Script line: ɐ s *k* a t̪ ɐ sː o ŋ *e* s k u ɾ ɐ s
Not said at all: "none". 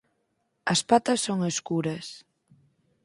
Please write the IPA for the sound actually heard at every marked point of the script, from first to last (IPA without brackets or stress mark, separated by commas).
p, e